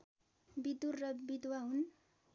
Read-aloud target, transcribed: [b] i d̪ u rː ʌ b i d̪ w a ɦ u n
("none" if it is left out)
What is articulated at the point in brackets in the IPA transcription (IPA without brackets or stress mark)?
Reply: b